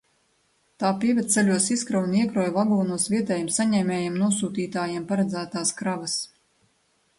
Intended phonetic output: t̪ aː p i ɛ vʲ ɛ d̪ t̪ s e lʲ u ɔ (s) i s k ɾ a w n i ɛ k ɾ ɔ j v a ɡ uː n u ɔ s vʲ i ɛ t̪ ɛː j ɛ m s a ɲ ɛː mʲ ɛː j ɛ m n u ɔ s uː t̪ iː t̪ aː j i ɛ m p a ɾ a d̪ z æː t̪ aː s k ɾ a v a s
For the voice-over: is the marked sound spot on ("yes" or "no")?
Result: yes